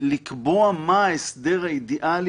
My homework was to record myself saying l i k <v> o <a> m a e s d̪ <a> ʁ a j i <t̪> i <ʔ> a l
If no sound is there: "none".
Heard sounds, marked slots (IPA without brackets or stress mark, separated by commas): b, a, e, d̪, ʔ